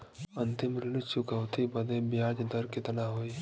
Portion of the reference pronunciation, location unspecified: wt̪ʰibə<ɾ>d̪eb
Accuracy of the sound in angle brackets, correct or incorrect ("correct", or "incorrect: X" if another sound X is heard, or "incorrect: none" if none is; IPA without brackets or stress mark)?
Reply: incorrect: none